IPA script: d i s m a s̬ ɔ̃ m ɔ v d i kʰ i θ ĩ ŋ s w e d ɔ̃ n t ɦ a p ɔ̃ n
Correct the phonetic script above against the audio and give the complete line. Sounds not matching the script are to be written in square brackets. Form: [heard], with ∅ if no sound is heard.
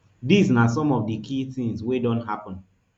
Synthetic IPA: d i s [n] a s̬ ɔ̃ m ɔ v d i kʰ i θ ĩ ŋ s w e d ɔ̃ n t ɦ a p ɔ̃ n